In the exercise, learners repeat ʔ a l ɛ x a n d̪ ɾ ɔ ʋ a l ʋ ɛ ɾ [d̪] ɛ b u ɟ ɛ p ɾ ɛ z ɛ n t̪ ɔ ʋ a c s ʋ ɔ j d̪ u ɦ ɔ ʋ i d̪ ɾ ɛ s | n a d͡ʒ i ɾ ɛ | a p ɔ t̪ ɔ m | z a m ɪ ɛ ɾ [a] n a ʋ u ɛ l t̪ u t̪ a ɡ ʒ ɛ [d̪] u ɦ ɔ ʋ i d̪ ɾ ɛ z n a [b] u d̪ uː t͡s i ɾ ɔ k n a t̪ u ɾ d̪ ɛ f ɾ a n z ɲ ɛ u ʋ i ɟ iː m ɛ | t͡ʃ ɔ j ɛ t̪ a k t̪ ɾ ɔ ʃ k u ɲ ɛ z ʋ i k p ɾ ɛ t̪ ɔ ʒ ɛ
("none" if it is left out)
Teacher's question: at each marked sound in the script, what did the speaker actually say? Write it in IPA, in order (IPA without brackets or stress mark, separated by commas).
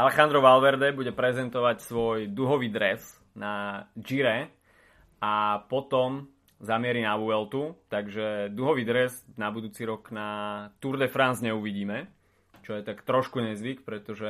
d̪, i, d̪, b